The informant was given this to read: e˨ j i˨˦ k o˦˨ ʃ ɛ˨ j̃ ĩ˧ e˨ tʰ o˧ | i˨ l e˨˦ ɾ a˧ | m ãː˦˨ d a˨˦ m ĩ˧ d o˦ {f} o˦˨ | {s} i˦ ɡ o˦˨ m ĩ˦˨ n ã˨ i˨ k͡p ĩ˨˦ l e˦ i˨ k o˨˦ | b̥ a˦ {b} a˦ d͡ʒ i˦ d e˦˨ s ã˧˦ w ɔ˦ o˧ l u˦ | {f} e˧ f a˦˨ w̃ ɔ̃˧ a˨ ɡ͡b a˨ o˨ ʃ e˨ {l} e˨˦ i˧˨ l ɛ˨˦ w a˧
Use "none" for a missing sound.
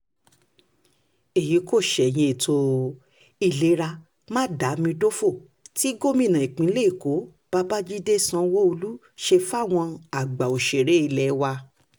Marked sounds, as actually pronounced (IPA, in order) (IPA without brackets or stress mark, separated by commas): f, t, b, ʃ, ɾ